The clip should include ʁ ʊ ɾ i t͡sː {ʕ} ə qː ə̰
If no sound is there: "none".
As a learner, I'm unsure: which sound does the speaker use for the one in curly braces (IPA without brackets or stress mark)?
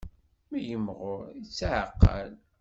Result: ʕ